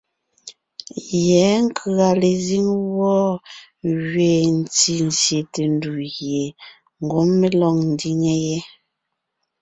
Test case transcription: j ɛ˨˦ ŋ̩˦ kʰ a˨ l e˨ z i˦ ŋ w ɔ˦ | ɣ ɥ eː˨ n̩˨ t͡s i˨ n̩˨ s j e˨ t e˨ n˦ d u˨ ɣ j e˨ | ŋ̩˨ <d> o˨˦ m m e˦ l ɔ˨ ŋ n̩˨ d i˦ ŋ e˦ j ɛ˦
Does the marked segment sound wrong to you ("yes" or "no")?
yes